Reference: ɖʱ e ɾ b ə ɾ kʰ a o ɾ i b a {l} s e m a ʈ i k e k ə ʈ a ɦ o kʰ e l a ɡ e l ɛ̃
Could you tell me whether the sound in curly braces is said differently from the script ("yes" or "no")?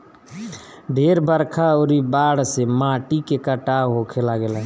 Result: yes